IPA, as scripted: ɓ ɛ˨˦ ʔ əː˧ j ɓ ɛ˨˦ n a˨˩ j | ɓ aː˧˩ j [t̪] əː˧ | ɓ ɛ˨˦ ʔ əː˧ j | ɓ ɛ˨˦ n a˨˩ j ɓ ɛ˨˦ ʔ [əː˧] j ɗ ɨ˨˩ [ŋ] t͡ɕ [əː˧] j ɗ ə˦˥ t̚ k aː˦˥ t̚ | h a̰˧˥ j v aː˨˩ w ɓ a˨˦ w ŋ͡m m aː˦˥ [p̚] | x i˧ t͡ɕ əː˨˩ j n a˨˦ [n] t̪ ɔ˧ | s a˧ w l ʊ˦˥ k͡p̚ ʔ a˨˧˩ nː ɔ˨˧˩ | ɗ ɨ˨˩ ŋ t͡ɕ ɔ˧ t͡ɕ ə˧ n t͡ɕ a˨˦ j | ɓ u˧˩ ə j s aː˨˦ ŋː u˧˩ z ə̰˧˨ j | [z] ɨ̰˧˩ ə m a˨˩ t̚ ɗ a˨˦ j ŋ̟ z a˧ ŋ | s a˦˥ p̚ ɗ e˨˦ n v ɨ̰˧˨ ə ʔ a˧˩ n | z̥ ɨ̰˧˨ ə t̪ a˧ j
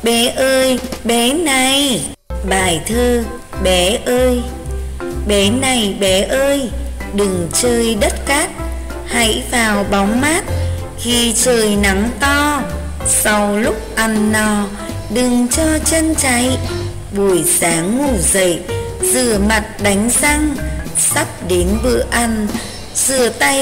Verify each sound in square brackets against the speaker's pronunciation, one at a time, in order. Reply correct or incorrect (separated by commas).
incorrect, correct, correct, correct, incorrect, incorrect, correct